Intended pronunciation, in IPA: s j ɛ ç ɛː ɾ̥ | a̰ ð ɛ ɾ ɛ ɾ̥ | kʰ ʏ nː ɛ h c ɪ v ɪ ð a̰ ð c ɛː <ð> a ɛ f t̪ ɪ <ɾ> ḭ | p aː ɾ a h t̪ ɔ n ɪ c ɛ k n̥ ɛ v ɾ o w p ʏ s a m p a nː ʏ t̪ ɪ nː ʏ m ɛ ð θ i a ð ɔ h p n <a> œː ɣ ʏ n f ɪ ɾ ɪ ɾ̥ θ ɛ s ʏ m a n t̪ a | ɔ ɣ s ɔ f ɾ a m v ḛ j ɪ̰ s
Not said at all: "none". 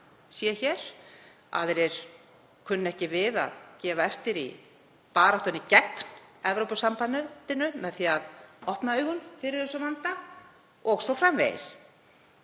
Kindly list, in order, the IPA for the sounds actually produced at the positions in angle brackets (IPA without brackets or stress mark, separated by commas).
v, ɾ, a